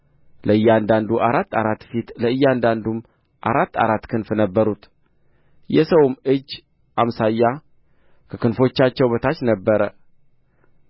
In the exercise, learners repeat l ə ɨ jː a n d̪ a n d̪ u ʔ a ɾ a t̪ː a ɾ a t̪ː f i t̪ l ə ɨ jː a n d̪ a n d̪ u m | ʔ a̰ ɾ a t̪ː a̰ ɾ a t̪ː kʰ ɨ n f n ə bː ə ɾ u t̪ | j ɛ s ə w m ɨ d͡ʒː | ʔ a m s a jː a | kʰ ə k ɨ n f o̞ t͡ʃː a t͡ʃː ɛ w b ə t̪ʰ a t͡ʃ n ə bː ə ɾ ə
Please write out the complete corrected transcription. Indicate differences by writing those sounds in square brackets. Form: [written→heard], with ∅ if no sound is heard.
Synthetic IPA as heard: l ə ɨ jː a n d̪ a n d̪ u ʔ a ɾ a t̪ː a ɾ a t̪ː f i t̪ l ə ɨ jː a n d̪ a n d̪ u m | ʔ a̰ ɾ a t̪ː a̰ ɾ a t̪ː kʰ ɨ n f n ə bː ə ɾ u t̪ | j ɛ s ə w m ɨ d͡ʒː | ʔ a m s a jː a | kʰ ə k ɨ n f o̞ t͡ʃː a t͡ʃː ɛ w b ə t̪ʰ a t͡ʃ n ə bː ə ɾ ə